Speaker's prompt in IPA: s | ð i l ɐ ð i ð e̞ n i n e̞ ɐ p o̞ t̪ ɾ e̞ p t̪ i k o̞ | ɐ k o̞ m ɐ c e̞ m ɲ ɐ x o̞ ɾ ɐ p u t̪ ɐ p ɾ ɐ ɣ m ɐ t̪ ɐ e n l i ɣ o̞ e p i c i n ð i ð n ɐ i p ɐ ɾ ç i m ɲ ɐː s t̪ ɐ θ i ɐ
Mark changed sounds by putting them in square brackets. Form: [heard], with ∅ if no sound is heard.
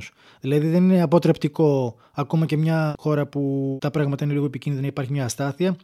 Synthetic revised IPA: s | ð i l ɐ ð i ð e̞ n i n e̞ ɐ p o̞ t̪ ɾ e̞ p t̪ i k o̞ | ɐ k o̞ m ɐ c e̞ m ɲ ɐ x o̞ ɾ ɐ p u t̪ ɐ p ɾ ɐ ɣ m ɐ t̪ ɐ [i] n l i ɣ o̞ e p i c i n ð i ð n ɐ i p ɐ ɾ ç i m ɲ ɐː s t̪ ɐ θ i ɐ